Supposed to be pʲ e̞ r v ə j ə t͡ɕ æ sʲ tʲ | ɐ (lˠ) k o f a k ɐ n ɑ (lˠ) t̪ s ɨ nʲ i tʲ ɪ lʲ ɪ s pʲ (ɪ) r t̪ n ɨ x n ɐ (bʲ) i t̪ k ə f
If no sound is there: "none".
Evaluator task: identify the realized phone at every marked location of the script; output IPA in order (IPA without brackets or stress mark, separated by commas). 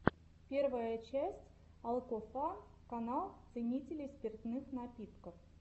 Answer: lˠ, lˠ, ɪ, pʲ